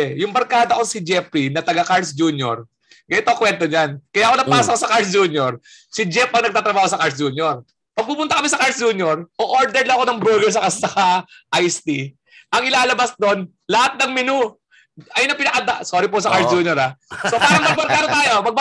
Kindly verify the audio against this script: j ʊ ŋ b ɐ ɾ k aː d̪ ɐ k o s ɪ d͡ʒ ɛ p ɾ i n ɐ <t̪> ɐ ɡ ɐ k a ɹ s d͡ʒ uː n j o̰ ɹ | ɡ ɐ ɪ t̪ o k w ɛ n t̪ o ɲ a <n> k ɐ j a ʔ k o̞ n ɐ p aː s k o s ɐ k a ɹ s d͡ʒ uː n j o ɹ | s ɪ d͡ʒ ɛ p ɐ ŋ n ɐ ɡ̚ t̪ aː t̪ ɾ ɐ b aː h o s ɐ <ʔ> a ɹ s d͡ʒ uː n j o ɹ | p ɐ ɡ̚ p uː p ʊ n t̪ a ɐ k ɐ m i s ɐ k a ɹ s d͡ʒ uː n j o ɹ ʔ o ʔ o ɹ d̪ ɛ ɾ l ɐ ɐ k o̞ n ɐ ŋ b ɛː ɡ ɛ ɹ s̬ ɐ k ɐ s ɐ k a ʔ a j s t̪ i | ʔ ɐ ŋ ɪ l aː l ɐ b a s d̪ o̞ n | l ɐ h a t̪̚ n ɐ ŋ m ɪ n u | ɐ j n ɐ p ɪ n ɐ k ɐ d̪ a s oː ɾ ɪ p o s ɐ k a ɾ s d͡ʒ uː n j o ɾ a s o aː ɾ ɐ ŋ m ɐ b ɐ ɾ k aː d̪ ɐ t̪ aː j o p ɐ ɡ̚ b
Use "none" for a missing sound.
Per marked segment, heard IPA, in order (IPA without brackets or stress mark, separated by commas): t̪, n, k